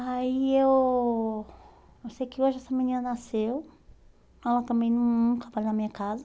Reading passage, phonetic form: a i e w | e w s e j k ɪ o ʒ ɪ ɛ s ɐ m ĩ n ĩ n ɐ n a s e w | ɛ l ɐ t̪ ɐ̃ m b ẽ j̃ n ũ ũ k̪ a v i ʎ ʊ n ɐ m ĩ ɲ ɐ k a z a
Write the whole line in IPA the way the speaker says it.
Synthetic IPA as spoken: a i e w | e w s e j k ɪ o ʒ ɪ ɛ s ɐ m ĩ n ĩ n ɐ n a s e w | ɛ l ɐ t̪ ɐ̃ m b ẽ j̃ n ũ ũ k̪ a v a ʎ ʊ n ɐ m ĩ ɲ ɐ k a z ɐ